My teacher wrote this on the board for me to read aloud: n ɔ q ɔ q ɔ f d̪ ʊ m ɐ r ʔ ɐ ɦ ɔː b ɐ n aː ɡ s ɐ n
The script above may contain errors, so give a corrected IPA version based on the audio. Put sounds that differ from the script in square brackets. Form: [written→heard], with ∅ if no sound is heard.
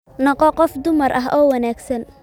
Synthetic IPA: n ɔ q ɔ q ɔ f d̪ ʊ m ɐ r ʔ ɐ ɦ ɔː [b→w] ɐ n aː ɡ s ɐ n